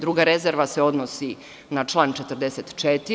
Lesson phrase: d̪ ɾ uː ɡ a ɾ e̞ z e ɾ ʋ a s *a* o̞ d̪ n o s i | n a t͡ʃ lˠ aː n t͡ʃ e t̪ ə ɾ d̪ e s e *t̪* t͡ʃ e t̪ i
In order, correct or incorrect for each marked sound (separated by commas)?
incorrect, correct